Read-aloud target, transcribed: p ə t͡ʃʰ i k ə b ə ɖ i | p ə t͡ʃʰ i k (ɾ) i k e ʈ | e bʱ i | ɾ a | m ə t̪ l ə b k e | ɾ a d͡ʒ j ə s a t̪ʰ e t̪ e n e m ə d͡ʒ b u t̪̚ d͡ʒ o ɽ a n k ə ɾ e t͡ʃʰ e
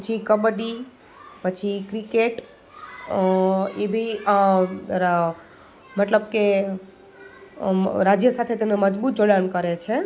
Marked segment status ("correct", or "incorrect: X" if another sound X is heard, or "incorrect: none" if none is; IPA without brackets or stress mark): correct